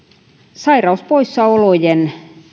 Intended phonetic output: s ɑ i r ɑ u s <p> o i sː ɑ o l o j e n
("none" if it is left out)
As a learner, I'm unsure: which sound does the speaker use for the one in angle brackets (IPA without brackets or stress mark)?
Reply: p